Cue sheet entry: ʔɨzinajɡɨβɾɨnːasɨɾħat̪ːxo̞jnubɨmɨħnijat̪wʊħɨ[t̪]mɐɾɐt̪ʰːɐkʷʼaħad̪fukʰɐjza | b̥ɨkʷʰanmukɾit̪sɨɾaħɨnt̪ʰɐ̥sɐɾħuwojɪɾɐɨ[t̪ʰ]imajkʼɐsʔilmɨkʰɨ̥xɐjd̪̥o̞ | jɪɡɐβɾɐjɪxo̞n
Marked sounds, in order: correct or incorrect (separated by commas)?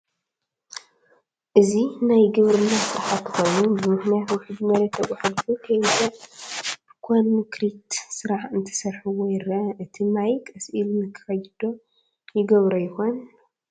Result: incorrect, correct